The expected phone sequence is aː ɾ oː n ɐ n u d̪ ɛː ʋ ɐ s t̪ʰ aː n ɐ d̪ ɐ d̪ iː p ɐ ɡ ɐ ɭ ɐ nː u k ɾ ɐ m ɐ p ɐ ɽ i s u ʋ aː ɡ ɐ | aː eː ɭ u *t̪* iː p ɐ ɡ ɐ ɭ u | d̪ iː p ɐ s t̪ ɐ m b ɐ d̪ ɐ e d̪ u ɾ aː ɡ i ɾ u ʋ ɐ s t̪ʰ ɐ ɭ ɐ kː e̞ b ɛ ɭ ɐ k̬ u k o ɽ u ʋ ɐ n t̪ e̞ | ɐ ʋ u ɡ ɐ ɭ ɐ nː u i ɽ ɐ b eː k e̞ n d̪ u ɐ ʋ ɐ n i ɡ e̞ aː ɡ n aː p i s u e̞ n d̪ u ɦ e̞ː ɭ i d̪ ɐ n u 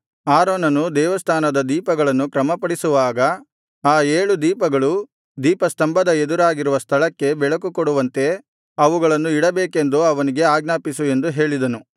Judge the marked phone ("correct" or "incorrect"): incorrect